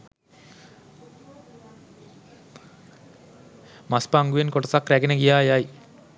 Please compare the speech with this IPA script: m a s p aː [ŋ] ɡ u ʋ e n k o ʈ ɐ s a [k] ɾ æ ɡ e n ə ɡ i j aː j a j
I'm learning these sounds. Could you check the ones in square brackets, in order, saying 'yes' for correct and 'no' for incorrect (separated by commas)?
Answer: yes, yes